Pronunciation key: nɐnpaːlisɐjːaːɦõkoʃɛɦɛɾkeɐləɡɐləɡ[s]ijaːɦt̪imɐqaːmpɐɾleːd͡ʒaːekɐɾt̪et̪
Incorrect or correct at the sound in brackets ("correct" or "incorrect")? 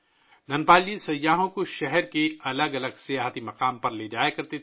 correct